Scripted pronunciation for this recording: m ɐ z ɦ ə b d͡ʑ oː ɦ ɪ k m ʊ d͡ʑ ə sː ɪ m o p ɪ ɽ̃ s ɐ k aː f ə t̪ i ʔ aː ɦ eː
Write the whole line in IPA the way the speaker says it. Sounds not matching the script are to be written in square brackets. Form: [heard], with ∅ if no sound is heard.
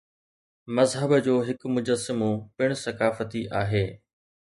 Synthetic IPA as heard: m ɐ z ɦ ə b d͡ʑ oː ɦ ɪ k m ʊ d͡ʑ ə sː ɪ m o p ɪ ɽ̃ s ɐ k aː f ə t̪ i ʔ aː ɦ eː